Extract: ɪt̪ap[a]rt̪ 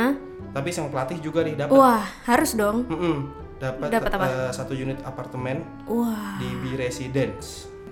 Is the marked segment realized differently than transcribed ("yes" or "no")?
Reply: no